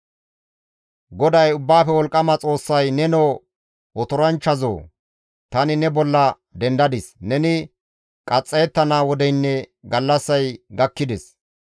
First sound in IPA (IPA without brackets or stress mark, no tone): ɡ